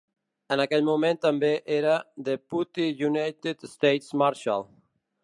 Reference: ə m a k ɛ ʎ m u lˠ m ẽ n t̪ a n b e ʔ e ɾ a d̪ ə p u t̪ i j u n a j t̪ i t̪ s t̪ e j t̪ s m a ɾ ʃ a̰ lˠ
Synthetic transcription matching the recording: ə n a k ɛ ʎ m u m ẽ n t̪ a m b e ʔ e ɾ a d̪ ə p u t̪ i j u n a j t̪ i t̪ s t̪ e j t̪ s m a ɾ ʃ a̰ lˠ